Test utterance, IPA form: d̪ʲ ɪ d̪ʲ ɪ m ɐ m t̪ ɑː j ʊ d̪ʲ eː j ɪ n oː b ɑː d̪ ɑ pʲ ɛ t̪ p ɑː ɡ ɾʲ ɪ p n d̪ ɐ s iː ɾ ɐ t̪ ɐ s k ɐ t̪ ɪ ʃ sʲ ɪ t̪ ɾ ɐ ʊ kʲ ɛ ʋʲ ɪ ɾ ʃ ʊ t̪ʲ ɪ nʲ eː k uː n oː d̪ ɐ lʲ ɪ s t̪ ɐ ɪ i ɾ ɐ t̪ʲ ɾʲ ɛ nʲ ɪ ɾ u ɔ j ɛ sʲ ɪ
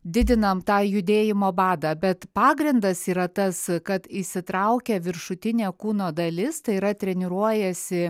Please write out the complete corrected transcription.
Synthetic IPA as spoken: d̪ʲ ɪ d̪ʲ ɪ n ɐ m t̪ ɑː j ʊ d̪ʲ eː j ɪ m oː b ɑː d̪ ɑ bʲ ɛ t̪ p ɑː ɡ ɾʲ ɪ n d̪ ɐ s iː ɾ ɐ t̪ ɐ s k ɐ t̪ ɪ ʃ sʲ ɪ t̪ ɾ ɐ ʊ kʲ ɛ ʋʲ ɪ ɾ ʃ ʊ t̪ʲ ɪ nʲ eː k uː n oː d̪ ɐ lʲ ɪ s t̪ ɐ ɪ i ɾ ɐ t̪ʲ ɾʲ ɛ nʲ ɪ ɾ u ɔ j ɛ sʲ ɪ